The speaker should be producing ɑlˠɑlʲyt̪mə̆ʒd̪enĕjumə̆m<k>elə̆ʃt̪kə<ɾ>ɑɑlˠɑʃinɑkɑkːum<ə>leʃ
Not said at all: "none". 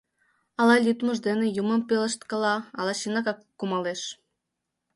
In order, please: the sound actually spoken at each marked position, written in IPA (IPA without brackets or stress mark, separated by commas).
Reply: p, l, ɑ